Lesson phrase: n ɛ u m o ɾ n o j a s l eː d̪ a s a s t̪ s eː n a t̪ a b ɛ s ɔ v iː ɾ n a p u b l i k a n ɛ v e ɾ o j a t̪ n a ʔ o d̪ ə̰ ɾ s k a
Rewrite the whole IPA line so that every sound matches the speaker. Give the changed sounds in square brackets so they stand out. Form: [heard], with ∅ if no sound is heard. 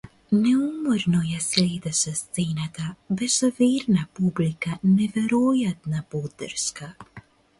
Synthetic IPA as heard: n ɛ u m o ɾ n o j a s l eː d̪ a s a s t̪ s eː n a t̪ a b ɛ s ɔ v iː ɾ n a p u b l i k a n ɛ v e ɾ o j a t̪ n a [p] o d̪ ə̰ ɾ s k a